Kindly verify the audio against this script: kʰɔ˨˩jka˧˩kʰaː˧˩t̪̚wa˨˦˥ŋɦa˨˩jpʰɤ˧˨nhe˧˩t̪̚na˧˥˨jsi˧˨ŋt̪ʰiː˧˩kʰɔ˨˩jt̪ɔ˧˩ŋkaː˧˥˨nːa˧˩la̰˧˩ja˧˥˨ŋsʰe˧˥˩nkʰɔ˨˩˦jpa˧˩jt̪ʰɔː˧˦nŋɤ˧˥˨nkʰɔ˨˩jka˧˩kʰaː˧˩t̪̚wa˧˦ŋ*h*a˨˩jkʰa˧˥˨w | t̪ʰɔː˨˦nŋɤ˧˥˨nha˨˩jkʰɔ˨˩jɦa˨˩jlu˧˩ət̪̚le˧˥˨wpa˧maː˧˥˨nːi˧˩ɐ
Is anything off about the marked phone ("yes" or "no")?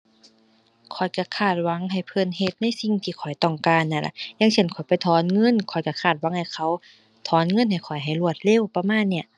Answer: no